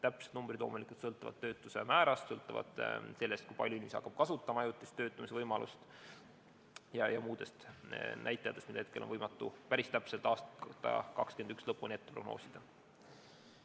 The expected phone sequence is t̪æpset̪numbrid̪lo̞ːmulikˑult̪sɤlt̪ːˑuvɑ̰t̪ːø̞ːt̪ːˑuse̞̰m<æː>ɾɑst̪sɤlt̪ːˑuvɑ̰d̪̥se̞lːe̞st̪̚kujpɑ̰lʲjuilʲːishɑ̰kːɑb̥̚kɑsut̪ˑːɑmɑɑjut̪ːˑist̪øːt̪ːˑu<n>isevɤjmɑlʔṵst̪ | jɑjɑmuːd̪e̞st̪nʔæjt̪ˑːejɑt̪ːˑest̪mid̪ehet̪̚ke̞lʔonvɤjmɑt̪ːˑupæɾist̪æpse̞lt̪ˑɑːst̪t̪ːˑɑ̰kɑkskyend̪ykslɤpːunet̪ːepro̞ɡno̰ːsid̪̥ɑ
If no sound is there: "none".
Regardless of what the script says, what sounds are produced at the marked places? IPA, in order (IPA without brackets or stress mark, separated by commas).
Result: æː, m